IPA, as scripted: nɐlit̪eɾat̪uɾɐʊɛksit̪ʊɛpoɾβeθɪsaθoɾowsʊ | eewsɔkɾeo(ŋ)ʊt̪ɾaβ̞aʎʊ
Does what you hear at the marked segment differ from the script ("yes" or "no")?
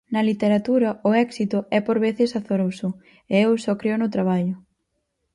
yes